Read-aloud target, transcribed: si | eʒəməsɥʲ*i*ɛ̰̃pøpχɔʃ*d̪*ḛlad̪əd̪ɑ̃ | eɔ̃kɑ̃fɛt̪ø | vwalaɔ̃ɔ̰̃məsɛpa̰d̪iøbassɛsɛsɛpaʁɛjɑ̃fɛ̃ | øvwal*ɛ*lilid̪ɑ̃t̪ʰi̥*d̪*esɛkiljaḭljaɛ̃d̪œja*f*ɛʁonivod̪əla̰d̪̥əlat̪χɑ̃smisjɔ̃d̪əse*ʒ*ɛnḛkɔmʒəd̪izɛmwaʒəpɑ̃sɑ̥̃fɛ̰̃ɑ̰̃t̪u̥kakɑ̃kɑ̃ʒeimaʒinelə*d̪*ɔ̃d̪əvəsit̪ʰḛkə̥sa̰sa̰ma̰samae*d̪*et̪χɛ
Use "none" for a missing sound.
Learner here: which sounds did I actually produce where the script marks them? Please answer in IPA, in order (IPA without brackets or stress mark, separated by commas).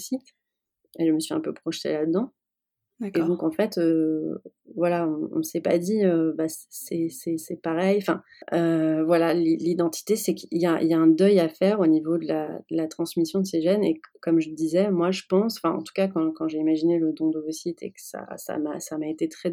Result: i, t̪, a, t̪, f, ʒ, d̪, t̪